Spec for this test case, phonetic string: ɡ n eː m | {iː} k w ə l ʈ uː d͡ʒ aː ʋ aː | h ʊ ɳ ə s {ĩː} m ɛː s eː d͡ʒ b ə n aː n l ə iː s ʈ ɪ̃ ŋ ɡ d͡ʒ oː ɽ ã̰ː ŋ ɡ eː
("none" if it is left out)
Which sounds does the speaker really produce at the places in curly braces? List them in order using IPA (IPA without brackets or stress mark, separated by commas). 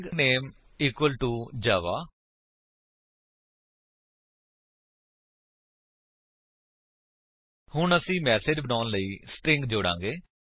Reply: iː, ĩː